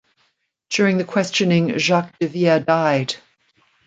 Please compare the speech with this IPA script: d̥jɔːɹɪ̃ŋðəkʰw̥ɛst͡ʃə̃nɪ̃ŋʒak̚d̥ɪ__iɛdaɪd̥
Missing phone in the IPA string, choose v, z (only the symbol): v